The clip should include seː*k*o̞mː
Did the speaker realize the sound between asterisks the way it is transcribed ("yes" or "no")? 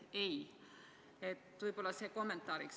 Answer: yes